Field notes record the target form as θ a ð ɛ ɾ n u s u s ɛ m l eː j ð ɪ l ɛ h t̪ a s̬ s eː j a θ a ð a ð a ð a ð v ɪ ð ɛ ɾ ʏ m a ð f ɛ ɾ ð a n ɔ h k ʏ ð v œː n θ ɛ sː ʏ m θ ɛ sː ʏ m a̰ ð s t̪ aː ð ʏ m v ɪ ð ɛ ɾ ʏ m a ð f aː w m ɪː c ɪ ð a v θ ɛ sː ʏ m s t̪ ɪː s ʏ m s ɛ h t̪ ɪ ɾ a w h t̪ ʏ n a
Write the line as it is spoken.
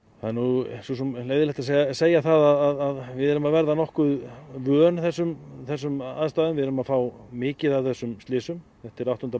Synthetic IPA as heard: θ a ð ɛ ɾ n u s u s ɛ m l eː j ð ɪ l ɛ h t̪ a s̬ s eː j a θ a ð a ð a ð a ð v ɪ ð ɛ ɾ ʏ m a ð v ɛ ɾ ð a n ɔ h k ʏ ð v œː n θ ɛ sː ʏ m θ ɛ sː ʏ m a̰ ð s t̪ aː ð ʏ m v ɪ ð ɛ ɾ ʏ m a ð f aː w m ɪː c ɪ ð a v θ ɛ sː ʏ m s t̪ ɪː s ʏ m θ ɛ h t̪ ɪ ɾ a w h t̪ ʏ n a